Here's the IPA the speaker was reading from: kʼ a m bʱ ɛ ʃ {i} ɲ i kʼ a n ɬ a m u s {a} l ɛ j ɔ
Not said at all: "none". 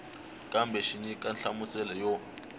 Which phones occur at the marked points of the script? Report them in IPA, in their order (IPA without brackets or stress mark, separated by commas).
i, ɛ